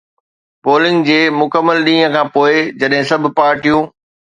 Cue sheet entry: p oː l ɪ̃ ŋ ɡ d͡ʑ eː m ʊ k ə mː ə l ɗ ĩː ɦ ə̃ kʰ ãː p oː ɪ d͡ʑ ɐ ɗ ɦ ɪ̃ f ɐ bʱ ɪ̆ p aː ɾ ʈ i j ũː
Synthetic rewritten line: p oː l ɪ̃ ŋ ɡ d͡ʑ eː m ʊ k ə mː ə l ɗ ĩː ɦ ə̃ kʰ ãː p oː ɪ d͡ʑ ɐ ɗ ɦ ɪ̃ s ɐ bʱ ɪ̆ p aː ɾ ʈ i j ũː